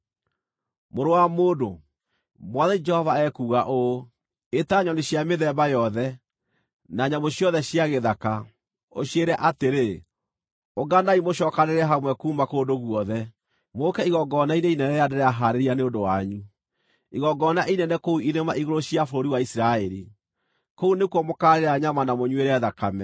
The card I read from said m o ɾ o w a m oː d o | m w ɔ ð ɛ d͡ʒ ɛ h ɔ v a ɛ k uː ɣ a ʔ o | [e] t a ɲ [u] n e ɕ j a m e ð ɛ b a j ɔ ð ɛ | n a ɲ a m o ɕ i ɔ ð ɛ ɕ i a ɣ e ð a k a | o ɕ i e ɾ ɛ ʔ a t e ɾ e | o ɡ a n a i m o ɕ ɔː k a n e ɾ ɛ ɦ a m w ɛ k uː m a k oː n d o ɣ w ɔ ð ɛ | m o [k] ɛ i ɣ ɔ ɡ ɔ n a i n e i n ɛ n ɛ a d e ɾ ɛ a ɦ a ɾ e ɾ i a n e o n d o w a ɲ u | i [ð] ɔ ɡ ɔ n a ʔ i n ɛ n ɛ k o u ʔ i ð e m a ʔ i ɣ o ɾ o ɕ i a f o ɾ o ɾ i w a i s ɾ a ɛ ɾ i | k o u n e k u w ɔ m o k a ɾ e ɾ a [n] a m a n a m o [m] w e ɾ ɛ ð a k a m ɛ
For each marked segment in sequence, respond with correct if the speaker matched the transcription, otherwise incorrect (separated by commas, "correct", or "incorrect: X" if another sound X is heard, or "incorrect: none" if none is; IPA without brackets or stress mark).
correct, incorrect: ɔ, correct, incorrect: ɣ, incorrect: ɲ, incorrect: ɲ